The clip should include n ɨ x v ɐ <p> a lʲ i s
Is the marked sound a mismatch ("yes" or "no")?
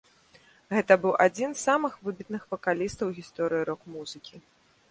yes